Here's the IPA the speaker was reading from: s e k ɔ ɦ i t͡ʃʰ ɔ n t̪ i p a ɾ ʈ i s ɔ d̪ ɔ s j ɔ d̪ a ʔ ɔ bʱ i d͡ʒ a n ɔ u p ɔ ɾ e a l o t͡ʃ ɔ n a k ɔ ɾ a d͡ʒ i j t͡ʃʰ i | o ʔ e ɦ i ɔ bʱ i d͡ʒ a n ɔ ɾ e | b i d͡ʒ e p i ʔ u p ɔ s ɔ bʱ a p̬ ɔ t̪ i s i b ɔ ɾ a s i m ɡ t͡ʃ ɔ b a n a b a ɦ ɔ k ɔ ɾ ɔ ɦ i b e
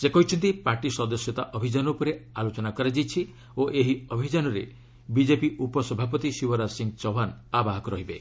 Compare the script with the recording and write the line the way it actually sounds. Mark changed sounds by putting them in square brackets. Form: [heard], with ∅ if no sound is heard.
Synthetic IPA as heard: s e k ɔ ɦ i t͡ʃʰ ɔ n t̪ i p a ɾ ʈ i s ɔ d̪ ɔ s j ɔ [t̪] a ʔ ɔ bʱ i d͡ʒ a n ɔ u p ɔ ɾ e a l o t͡ʃ ɔ n a k ɔ ɾ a d͡ʒ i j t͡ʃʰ i | o ʔ e ɦ i ɔ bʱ i d͡ʒ a n ɔ ɾ e | b i d͡ʒ e p i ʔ u p ɔ s ɔ bʱ a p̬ ɔ t̪ i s i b ɔ ɾ a s i [ŋ] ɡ t͡ʃ ɔ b a n a b a ɦ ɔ k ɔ ɾ ɔ ɦ i b e